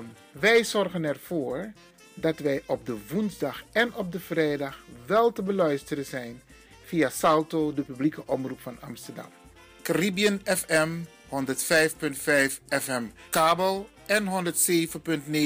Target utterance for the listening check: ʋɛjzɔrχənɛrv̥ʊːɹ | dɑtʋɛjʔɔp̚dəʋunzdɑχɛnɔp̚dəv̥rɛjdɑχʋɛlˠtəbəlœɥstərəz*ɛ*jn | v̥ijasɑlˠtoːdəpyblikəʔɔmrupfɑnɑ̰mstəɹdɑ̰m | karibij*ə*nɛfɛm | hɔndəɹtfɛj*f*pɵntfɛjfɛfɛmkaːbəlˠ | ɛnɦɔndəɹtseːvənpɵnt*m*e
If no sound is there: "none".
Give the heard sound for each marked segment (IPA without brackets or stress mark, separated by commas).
ɛ, ə, f, n